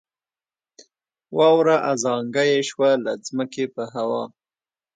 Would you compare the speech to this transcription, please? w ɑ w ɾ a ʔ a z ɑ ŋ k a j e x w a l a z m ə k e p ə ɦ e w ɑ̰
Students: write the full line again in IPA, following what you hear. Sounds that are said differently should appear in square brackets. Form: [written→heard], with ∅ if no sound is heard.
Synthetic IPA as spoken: w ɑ w ɾ a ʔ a z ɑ ŋ [k→ɡ] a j e [x→ʃ] w a l a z m ə k e p ə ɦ [e→a] w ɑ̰